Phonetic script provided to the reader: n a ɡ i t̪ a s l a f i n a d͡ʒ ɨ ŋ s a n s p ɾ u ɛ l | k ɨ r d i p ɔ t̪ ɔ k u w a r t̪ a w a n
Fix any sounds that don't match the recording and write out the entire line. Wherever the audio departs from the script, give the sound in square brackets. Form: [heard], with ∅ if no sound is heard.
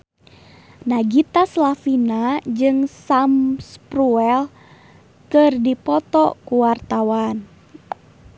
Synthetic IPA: n a ɡ i t̪ a s l a f i n a d͡ʒ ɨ ŋ s a [m] s p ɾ u ɛ l | k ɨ r d i p ɔ t̪ ɔ k u w a r t̪ a w a n